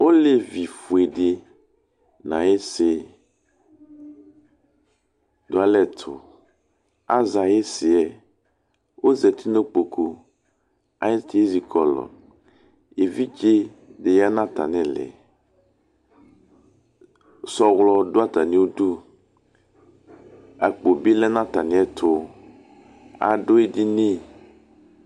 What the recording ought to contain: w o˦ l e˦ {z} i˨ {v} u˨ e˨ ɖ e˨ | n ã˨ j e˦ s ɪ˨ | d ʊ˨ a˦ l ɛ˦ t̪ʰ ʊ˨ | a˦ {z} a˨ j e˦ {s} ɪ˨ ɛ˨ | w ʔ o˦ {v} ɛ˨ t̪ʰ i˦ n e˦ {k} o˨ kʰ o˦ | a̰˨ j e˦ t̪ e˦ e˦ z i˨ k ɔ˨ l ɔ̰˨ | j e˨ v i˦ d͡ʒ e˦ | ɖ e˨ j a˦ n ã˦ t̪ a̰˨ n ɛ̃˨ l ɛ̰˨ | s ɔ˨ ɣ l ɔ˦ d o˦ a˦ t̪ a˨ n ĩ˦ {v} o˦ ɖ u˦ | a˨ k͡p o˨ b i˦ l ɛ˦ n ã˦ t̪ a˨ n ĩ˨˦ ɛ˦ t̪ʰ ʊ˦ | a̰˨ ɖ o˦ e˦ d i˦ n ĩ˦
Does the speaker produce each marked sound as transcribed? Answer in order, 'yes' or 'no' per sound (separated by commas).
no, no, yes, yes, no, no, no